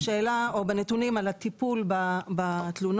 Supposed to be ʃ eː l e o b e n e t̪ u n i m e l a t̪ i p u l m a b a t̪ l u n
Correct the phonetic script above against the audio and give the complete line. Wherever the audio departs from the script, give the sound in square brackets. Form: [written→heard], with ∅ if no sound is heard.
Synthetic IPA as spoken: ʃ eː l [e→a] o b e n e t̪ u n i m [e→a] l a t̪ i p u l [m→b] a b a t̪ l u n